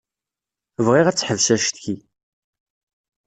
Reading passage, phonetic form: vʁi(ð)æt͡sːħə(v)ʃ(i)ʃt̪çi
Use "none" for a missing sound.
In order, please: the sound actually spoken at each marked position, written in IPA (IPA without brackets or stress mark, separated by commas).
ʁ, v, æ